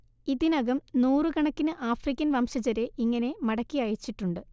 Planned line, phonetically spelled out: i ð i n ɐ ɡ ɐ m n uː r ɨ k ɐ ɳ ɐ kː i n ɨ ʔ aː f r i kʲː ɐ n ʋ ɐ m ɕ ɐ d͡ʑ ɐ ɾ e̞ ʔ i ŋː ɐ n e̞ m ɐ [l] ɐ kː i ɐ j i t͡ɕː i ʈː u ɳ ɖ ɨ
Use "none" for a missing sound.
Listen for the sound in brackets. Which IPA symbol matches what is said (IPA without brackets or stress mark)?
ɽ